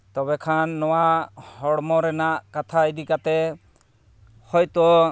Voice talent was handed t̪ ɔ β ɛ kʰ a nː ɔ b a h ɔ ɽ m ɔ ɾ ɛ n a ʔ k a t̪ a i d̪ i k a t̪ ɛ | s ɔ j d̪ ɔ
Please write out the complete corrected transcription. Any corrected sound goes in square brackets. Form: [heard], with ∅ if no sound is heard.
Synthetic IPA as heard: t̪ ɔ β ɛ kʰ a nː ɔ [w] a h ɔ ɽ m ɔ ɾ ɛ n a ʔ k a [t̪ʰ] a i d̪ i k a t̪ ɛ | [h] ɔ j [t̪] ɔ